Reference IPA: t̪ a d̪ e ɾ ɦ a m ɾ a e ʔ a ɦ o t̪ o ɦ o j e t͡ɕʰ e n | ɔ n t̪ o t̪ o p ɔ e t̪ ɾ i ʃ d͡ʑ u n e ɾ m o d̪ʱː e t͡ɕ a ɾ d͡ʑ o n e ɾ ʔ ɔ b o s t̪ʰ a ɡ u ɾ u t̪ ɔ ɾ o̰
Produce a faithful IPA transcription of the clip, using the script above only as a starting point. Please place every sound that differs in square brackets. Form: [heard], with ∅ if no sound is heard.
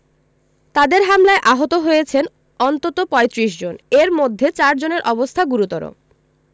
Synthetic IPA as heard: t̪ a d̪ e ɾ ɦ a m [l] a e ʔ a ɦ o t̪ o ɦ o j e t͡ɕʰ e n | ɔ n t̪ o t̪ o p ɔ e t̪ ɾ i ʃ d͡ʑ [o] n e ɾ m o d̪ʱː e t͡ɕ a ɾ d͡ʑ o n e ɾ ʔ ɔ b o s t̪ʰ a ɡ u ɾ u t̪ ɔ ɾ o̰